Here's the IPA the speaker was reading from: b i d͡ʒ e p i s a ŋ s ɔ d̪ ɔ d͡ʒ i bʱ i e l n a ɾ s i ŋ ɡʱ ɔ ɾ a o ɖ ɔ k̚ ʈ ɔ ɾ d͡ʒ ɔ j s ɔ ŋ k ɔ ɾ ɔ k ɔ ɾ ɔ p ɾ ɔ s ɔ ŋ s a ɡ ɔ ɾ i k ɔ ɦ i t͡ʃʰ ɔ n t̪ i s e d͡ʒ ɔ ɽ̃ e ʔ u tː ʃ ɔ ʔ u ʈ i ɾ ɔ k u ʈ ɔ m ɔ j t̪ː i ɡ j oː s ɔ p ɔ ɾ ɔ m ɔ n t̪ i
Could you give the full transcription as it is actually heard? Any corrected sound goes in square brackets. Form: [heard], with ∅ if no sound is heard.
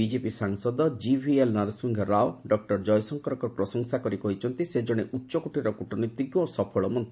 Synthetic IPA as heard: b i d͡ʒ e p i s a ŋ s ɔ d̪ ɔ d͡ʒ i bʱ i e l n a ɾ s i ŋ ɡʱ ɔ ɾ a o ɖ ɔ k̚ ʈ ɔ ɾ d͡ʒ ɔ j s ɔ ŋ k ɔ ɾ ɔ k ɔ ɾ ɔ p ɾ ɔ s ɔ ŋ s a [k] ɔ ɾ i k ɔ ɦ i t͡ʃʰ ɔ n t̪ i s e d͡ʒ ɔ ɽ̃ e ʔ u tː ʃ ɔ [k] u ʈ i ɾ ɔ k u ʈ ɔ [n] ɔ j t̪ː i ɡ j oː s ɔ [pʰ] ɔ [ɭ] ɔ m ɔ n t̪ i

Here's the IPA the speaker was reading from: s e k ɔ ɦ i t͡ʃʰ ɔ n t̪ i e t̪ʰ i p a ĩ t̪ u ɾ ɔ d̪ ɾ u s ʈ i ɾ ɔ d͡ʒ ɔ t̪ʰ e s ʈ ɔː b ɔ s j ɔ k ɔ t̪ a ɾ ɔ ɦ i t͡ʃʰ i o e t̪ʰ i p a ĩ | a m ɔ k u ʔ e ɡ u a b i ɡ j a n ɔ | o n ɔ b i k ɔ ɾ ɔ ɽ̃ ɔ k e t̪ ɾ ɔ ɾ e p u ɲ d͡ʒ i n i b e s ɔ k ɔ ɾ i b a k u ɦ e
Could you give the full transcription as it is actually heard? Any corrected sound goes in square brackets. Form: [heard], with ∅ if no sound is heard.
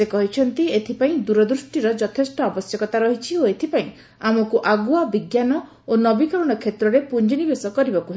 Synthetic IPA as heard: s e k ɔ ɦ i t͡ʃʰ ɔ n t̪ i e t̪ʰ i p a ĩ [d̪] u ɾ ɔ d̪ ɾ u s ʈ i ɾ ɔ d͡ʒ ɔ t̪ʰ e s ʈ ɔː b ɔ s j ɔ k ɔ t̪ a ɾ ɔ ɦ i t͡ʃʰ i o e t̪ʰ i p a ĩ | a m ɔ k u ʔ [a] ɡ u a b i ɡ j a n ɔ | o n ɔ b i k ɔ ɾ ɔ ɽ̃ ɔ [kʰ] e t̪ ɾ ɔ ɾ e p u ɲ d͡ʒ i n i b e s ɔ k ɔ ɾ i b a k u ɦ e

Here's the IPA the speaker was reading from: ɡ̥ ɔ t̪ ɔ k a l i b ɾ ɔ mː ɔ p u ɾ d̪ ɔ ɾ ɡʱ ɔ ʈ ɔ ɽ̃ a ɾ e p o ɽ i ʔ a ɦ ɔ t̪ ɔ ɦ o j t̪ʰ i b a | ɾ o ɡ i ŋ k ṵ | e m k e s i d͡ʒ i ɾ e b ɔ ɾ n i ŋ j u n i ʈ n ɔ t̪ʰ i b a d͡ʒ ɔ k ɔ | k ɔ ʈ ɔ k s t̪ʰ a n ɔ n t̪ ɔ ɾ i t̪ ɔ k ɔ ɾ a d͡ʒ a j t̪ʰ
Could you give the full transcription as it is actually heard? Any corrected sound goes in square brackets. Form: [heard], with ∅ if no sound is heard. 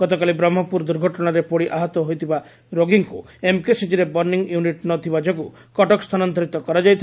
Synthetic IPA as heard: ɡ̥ ɔ t̪ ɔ k a l i b ɾ ɔ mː ɔ p u ɾ d̪ [u] ɾ ɡʱ ɔ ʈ ɔ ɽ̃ a ɾ e p o ɽ i ʔ a ɦ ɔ t̪ ɔ ɦ o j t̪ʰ i b a | ɾ o ɡ i ŋ k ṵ | e m k e s i d͡ʒ i ɾ e b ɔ ɾ n i ŋ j u n i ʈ n ɔ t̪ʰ i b a d͡ʒ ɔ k [u] | k ɔ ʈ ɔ k s t̪ʰ a n ɔ n t̪ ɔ ɾ i t̪ ɔ k ɔ ɾ a d͡ʒ a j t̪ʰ

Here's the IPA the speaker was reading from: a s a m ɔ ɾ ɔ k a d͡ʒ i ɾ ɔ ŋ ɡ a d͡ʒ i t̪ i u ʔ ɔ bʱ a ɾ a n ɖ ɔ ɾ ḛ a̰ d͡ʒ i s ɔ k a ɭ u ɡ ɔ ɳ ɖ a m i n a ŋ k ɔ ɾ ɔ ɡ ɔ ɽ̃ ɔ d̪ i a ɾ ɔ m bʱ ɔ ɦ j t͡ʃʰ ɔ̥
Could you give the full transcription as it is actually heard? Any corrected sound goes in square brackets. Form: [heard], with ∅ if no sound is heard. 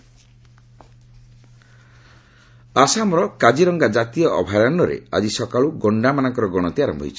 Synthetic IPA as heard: a s a m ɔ ɾ ɔ k a d͡ʒ i ɾ ɔ ŋ ɡ a d͡ʒ [a] t̪ i [ɔ] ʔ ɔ bʱ a ɾ a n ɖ ɔ ɾ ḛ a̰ d͡ʒ i s ɔ k a ɭ u ɡ ɔ ɳ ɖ a m [a] n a ŋ k ɔ ɾ ɔ ɡ ɔ ɽ̃ ɔ [t̪] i a ɾ ɔ m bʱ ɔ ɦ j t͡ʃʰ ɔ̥

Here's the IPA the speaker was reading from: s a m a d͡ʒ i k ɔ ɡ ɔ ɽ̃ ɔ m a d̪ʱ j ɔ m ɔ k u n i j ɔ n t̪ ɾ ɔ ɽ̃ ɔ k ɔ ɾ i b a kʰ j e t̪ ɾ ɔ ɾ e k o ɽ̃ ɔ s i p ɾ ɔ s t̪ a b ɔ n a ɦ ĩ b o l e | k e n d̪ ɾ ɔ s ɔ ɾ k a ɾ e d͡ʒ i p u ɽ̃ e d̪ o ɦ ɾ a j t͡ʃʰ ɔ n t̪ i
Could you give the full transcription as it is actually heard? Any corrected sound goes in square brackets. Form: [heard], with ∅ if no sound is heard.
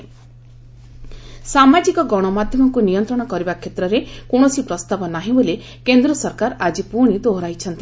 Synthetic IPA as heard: s a m a d͡ʒ i k ɔ ɡ ɔ ɽ̃ ɔ m a d̪ʱ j ɔ m ɔ k u n i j ɔ n t̪ ɾ ɔ ɽ̃ ɔ k ɔ ɾ i b a kʰ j e t̪ ɾ ɔ ɾ e k o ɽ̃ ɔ s i p ɾ ɔ s t̪ a b ɔ n a ɦ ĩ b o l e | k e n d̪ ɾ ɔ s ɔ ɾ k a ɾ [a] d͡ʒ i p u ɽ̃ [i] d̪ o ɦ ɾ a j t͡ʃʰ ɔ n t̪ i

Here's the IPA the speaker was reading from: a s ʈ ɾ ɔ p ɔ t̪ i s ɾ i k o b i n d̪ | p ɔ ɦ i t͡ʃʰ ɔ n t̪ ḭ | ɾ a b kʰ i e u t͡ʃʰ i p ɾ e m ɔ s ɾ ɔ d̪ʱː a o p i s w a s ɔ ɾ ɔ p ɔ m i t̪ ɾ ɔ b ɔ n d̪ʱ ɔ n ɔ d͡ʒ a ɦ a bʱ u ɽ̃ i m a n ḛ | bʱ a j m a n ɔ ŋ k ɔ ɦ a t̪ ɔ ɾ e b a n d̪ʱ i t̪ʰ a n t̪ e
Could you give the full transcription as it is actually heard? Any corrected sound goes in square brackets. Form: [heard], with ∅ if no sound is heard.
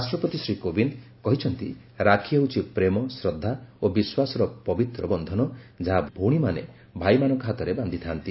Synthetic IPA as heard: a s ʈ ɾ ɔ p ɔ t̪ i s ɾ i k o b i n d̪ | [k] ɔ ɦ i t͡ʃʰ ɔ n t̪ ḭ | ɾ a [∅] kʰ i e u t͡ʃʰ i p ɾ e m ɔ s ɾ ɔ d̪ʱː a o [b] i s w a s ɔ ɾ ɔ p ɔ [b] i t̪ ɾ ɔ b ɔ n d̪ʱ ɔ n ɔ d͡ʒ a ɦ a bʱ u ɽ̃ i m a n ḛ | bʱ a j m a n ɔ ŋ k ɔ ɦ a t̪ ɔ ɾ e b a n d̪ʱ i t̪ʰ a n t̪ [i]

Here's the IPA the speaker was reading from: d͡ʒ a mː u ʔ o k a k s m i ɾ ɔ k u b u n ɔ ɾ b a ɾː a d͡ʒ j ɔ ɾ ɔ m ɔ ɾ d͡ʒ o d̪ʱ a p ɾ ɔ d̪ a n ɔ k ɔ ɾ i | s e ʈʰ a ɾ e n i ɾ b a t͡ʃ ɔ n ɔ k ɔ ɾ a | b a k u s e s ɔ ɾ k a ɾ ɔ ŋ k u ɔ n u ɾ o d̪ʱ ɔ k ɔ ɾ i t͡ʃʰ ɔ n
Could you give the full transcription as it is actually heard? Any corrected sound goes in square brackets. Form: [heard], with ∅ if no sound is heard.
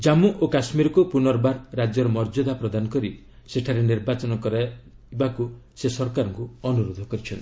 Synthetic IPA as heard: d͡ʒ a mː u ʔ o k a [∅] s m i ɾ ɔ k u [p] u n ɔ ɾ b a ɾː a d͡ʒ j ɔ ɾ ɔ m ɔ ɾ d͡ʒ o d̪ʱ a p ɾ ɔ d̪ a n ɔ k ɔ ɾ i | s e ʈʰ a ɾ e n i ɾ b a t͡ʃ ɔ n ɔ k ɔ ɾ a | b a k u s e s ɔ ɾ k a ɾ ɔ ŋ k u ɔ n u ɾ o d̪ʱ ɔ k ɔ ɾ i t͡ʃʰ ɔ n

